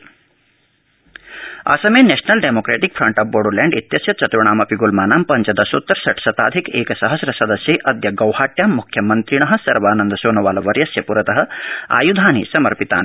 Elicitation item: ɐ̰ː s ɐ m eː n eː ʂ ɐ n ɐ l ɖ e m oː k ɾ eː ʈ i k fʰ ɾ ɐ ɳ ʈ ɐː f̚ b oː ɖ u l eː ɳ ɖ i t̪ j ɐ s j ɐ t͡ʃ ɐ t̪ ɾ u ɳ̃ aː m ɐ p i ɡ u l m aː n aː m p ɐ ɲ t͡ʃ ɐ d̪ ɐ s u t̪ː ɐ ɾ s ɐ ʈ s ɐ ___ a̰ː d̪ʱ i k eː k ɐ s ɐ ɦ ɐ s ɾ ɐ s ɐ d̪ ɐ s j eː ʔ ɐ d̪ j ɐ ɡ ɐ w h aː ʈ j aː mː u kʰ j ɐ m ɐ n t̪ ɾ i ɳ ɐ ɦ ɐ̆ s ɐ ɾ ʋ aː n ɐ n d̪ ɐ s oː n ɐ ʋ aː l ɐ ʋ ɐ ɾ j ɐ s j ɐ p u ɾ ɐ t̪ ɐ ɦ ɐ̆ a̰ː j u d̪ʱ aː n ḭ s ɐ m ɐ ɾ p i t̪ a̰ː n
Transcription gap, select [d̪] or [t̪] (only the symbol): t̪